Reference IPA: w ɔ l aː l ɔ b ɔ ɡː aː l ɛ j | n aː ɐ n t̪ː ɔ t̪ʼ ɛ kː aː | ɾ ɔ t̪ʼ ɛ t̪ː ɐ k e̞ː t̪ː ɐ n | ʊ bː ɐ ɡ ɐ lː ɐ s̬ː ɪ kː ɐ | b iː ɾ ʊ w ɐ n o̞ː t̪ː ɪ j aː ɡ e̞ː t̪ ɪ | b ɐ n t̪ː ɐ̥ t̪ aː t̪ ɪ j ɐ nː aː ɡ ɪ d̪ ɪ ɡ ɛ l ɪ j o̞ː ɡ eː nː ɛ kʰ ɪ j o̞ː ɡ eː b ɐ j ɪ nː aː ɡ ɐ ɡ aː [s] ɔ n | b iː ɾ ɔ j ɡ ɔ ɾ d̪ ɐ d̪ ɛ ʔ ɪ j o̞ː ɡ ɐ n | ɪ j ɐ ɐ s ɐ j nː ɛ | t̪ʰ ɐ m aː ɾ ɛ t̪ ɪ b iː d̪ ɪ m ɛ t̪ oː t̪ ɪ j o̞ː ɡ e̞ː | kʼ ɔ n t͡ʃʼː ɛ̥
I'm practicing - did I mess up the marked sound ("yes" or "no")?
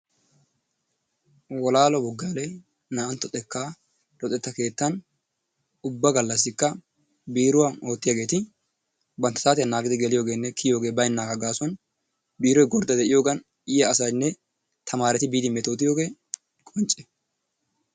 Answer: no